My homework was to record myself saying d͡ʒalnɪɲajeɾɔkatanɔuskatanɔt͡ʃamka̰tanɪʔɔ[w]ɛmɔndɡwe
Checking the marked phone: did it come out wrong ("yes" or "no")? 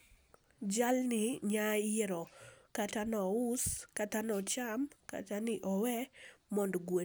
no